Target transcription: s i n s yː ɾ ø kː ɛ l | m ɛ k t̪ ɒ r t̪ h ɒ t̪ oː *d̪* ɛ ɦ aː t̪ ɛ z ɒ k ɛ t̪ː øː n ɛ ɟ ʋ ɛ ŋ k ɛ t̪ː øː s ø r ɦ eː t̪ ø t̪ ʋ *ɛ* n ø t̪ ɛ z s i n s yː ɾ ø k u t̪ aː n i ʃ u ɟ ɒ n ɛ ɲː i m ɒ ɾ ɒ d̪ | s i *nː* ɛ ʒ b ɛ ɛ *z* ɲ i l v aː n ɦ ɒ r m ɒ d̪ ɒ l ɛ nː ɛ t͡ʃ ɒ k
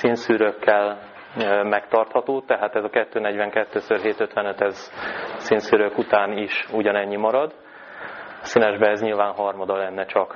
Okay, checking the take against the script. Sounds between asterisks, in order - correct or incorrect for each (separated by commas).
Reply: incorrect, correct, incorrect, correct